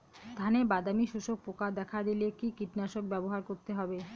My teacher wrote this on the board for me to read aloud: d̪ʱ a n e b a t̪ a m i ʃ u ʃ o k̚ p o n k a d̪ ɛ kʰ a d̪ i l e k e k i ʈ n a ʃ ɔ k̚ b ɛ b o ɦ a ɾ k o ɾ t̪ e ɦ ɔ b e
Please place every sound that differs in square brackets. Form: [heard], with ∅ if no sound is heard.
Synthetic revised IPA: d̪ʱ a n e b a [d̪] a m i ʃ u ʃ o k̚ p o [∅] k a d̪ ɛ kʰ a d̪ i l e k [i] k i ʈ n a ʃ [o] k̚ b ɛ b o ɦ a ɾ k o ɾ t̪ e ɦ ɔ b e